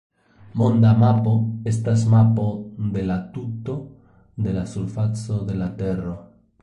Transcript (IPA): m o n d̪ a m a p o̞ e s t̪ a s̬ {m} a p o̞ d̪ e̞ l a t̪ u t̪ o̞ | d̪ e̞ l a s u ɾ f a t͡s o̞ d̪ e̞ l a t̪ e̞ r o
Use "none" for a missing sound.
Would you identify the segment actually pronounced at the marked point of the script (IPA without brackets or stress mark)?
m